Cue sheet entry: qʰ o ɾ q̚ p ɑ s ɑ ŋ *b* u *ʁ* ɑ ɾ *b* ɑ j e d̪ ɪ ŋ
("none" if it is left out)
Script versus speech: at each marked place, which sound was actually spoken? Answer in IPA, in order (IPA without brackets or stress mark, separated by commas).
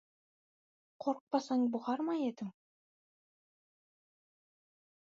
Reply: b, ʁ, m